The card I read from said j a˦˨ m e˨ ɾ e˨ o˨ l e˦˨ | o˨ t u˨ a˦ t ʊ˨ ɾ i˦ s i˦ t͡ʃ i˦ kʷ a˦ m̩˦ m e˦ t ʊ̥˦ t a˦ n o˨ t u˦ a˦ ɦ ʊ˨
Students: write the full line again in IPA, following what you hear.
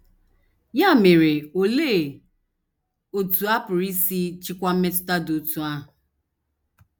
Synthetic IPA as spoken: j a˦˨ m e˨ ɾ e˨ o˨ l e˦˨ | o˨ t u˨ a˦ p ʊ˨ ɾ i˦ s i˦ t͡ʃ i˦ kʷ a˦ m̩˦ m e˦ t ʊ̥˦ t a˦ d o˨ t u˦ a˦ ɦ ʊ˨